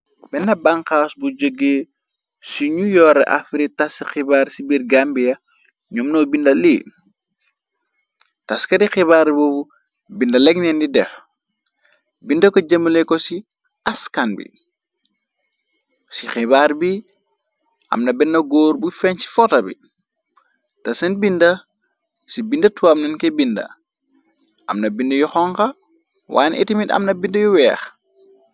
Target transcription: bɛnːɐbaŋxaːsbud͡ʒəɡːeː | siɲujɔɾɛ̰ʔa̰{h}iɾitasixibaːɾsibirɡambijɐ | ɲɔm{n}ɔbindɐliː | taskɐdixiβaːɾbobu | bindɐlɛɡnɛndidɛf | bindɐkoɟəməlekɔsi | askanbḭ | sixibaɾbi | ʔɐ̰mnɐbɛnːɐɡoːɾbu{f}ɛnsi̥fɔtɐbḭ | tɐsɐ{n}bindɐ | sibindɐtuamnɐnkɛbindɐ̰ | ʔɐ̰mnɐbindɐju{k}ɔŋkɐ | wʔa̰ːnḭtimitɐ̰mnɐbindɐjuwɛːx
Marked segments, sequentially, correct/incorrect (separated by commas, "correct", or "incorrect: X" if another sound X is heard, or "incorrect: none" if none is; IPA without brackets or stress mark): incorrect: f, correct, correct, correct, incorrect: x